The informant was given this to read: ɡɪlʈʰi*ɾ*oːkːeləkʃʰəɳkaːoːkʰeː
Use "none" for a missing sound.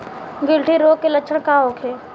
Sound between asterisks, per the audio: ɾ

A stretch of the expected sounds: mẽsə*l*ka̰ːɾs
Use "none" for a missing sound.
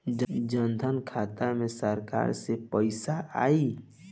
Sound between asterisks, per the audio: ɾ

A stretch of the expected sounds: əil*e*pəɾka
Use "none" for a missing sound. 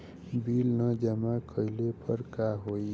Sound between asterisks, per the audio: e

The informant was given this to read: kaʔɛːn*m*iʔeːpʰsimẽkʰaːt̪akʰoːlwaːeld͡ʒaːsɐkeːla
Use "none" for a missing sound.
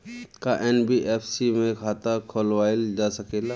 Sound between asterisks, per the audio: b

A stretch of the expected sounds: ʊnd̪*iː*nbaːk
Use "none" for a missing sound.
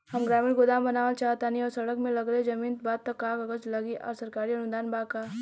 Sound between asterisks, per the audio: aː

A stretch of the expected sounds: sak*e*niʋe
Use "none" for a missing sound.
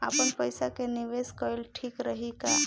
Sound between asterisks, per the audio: e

